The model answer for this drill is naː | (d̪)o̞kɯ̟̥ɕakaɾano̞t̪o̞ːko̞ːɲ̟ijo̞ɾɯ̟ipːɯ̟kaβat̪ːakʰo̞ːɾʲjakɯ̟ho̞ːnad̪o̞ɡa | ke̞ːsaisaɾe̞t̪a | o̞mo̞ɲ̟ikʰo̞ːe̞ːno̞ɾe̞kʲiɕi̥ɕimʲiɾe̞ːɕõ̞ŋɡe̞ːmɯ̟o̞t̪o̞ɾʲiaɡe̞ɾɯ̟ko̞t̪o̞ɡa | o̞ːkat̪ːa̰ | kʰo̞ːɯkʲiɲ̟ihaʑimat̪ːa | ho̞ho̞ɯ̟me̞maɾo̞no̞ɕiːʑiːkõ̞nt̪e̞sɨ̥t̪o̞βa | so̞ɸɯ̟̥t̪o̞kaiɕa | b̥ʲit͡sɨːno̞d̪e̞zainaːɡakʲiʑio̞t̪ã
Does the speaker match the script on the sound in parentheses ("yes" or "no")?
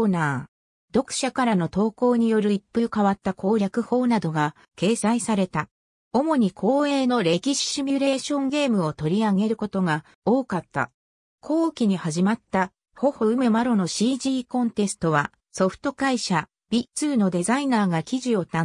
yes